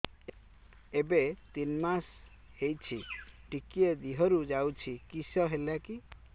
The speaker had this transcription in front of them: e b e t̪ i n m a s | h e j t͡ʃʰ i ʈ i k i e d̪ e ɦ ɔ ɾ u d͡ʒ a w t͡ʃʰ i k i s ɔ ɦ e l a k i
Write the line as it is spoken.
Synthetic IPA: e b e t̪ i n m a s | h e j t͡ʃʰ i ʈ i k i e d̪ i ɦ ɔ ɾ u d͡ʒ a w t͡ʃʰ i k i s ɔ ɦ e l a k i